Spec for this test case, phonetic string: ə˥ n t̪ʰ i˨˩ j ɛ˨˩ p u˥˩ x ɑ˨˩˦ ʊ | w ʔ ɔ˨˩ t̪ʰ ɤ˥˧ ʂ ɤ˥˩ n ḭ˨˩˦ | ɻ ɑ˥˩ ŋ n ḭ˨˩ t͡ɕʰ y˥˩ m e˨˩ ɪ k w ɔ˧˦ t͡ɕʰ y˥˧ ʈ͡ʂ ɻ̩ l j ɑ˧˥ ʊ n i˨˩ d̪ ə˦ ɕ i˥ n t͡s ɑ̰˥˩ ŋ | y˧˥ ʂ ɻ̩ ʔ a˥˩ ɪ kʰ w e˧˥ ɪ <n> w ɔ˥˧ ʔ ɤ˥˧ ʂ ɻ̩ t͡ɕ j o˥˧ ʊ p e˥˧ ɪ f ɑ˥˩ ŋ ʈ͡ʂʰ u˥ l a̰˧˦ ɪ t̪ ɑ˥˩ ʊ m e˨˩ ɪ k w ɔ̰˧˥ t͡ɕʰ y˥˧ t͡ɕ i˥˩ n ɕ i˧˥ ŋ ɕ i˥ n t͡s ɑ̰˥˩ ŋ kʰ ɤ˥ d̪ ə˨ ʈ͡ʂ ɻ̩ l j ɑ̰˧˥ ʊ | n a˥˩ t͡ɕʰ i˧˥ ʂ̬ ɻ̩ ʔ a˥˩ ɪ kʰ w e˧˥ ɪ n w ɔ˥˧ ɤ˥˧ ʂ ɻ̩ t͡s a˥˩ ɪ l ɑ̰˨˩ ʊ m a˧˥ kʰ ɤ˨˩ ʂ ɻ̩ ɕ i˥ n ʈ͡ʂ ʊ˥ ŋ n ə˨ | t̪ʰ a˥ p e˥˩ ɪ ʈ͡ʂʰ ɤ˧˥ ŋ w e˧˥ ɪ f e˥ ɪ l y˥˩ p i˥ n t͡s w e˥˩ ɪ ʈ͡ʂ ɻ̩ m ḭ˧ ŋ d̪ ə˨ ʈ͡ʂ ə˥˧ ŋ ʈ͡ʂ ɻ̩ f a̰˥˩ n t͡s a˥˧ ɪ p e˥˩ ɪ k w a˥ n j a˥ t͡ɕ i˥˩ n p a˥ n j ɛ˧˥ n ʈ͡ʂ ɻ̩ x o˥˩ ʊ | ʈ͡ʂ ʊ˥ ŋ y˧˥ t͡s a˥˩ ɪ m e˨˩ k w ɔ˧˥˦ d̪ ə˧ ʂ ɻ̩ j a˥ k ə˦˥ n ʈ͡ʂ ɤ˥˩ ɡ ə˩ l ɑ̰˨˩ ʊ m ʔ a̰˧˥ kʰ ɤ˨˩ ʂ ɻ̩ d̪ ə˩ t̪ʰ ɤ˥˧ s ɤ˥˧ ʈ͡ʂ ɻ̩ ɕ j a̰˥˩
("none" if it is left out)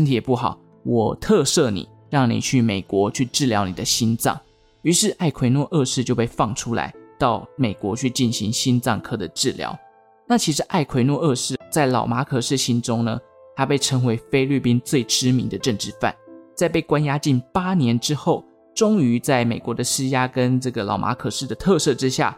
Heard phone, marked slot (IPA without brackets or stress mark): n